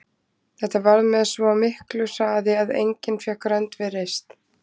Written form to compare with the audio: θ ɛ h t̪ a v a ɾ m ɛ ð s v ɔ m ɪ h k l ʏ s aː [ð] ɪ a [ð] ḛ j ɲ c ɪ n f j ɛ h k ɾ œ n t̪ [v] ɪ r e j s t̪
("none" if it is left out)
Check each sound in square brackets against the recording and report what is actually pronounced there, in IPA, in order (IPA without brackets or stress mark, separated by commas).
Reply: ð, ð, v